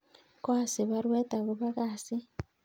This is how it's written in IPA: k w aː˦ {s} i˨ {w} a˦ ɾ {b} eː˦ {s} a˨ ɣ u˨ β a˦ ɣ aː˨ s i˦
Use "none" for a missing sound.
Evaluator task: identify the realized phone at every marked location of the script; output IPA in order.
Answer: s, β, w, t

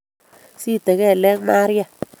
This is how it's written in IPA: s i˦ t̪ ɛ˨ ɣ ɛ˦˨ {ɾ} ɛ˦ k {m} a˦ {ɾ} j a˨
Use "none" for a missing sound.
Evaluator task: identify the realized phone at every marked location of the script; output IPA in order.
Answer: l, m, ɾ

